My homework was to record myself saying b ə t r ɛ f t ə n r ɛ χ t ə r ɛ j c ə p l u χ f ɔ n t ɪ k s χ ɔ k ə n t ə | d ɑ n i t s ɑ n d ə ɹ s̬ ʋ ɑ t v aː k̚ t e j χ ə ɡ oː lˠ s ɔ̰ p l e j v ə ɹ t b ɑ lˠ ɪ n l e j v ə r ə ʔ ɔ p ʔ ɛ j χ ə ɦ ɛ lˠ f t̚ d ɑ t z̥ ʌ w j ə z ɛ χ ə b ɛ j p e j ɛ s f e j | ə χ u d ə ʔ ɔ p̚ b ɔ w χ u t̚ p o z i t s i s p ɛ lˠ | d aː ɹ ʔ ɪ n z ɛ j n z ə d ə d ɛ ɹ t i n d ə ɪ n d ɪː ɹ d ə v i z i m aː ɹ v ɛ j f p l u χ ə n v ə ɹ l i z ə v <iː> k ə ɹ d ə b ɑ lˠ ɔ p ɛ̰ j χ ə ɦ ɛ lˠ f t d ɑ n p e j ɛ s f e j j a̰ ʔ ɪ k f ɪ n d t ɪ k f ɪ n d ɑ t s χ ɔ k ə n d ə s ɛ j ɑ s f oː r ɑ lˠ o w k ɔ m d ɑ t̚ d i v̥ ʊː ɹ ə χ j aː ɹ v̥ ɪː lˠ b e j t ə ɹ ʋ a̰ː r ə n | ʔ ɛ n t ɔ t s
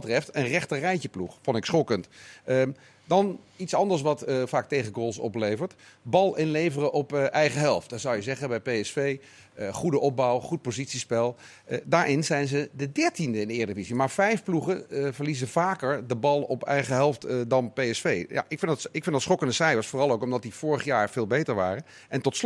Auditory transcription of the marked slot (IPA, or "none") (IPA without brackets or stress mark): aː